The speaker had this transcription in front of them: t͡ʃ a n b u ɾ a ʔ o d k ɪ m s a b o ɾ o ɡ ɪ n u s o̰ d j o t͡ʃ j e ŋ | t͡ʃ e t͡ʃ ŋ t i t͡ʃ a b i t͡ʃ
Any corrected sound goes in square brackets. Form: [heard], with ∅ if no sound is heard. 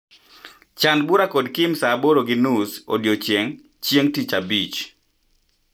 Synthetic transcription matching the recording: t͡ʃ a n b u ɾ a [k] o d k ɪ m s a b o ɾ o ɡ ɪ n u s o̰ d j o t͡ʃ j e ŋ | t͡ʃ e [∅] ŋ t i t͡ʃ a b i t͡ʃ